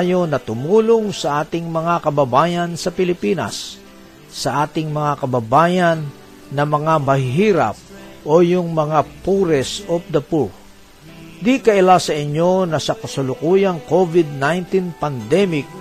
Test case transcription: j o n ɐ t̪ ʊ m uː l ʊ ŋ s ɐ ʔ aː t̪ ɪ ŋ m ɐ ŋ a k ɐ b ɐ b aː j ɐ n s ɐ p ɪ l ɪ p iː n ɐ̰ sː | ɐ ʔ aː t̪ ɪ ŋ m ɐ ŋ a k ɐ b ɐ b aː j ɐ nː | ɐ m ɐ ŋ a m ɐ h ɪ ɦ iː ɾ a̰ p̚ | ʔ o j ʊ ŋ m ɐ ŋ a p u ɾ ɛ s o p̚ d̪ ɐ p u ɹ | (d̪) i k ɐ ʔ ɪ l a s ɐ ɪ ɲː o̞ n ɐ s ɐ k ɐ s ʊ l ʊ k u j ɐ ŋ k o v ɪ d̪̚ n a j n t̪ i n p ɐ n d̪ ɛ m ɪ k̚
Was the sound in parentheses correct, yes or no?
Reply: yes